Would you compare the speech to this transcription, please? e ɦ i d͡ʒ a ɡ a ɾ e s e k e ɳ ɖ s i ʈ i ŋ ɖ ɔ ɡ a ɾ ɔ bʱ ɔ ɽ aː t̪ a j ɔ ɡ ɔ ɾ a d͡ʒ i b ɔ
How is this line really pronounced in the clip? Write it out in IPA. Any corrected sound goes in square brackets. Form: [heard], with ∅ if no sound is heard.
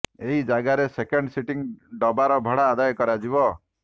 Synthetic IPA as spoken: e ɦ i d͡ʒ a ɡ a ɾ e s e k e ɳ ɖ s i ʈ i ŋ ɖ ɔ [b] a ɾ ɔ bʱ ɔ ɽ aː [d̪] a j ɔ [k] ɔ ɾ a d͡ʒ i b ɔ